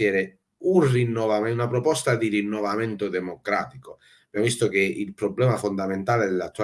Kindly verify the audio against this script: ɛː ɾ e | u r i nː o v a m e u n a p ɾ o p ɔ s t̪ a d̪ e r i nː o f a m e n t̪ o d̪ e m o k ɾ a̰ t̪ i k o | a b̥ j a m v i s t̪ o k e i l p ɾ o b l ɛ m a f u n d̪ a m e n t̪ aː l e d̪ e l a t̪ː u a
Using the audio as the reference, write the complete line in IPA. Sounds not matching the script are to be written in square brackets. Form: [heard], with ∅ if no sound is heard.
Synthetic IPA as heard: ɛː ɾ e | u r i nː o v a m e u n a p ɾ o p ɔ s t̪ a d̪ [i] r i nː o [v] a m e n t̪ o d̪ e m o k ɾ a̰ t̪ i k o | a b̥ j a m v i s t̪ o k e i l p ɾ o b l ɛ m a f [o] n d̪ a m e n t̪ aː l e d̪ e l a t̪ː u a